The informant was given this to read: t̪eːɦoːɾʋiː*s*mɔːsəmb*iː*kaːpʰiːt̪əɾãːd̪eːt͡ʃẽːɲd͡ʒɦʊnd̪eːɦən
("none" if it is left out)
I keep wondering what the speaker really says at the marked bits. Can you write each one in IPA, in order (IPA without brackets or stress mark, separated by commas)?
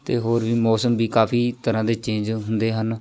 none, iː